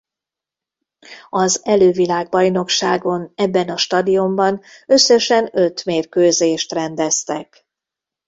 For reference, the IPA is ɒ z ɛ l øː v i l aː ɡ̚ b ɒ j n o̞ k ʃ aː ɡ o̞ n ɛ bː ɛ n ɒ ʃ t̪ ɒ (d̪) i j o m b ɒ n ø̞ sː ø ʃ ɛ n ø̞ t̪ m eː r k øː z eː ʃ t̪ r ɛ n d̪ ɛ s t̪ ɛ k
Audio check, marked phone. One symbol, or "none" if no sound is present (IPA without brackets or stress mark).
d̪